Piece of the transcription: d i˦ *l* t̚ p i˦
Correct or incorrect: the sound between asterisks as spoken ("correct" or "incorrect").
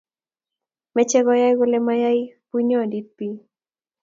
incorrect